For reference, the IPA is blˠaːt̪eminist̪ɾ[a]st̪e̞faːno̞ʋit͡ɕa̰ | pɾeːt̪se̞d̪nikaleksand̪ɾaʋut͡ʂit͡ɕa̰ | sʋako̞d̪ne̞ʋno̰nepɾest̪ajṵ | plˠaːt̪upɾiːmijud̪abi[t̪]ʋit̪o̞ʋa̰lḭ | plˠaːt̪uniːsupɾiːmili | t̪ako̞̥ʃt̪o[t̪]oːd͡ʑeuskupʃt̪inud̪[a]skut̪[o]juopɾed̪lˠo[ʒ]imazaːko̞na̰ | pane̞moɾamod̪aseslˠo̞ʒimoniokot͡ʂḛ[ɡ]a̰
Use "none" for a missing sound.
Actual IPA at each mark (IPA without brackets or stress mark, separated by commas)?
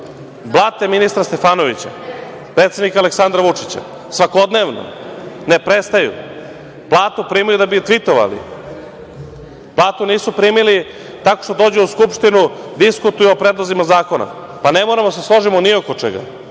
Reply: a, t̪, d̪, i, u, z, ɡ